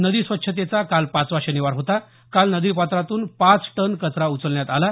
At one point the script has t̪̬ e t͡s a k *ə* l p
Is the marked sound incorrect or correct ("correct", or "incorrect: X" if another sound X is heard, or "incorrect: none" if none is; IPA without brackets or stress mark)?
incorrect: a